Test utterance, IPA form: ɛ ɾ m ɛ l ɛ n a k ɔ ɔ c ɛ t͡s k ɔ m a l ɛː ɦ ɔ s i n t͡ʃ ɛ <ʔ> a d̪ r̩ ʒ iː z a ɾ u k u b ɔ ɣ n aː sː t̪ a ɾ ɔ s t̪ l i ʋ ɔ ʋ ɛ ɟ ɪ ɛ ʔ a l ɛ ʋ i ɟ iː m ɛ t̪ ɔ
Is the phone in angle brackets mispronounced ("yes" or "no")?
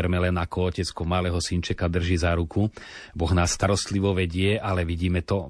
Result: yes